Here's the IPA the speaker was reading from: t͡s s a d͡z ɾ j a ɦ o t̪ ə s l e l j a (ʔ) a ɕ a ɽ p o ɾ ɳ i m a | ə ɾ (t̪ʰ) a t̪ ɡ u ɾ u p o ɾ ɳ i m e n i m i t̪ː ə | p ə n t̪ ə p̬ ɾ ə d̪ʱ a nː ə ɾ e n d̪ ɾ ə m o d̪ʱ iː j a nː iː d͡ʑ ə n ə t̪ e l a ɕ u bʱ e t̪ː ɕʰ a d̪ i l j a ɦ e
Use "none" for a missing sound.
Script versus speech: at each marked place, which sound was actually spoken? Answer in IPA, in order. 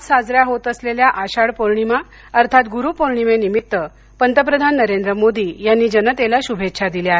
ʔ, t̪ʰ

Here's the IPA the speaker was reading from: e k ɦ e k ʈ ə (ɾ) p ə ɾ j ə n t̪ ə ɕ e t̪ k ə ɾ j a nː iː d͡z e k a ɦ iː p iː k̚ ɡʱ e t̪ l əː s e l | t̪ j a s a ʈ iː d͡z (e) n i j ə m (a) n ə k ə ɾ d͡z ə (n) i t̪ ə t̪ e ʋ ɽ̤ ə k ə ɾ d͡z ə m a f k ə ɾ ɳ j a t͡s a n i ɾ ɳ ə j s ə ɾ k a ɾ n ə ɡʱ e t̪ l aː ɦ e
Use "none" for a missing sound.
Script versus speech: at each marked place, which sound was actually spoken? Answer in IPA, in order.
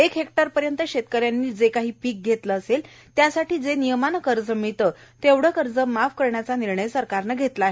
ɾ, e, a, m

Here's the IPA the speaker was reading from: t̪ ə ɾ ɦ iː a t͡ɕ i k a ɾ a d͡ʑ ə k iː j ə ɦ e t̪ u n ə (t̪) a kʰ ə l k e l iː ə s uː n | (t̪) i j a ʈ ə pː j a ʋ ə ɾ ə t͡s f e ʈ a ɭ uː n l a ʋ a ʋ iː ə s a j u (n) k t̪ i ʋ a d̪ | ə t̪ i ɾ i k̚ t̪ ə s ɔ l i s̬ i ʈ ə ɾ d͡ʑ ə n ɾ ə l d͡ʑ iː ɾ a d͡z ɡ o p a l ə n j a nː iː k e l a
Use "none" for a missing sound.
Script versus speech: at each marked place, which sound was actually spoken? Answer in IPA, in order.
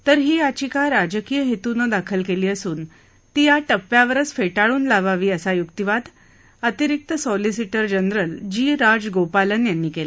d̪, t̪, none

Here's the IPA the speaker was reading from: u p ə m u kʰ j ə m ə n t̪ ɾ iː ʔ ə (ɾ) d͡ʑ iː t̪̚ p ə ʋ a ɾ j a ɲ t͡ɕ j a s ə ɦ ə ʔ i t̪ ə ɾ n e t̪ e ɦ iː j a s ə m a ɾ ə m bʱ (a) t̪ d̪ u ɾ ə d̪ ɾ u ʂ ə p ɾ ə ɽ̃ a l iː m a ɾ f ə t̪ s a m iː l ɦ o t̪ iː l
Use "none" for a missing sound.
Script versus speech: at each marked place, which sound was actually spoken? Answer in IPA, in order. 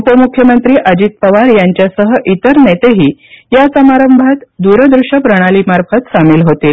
none, a

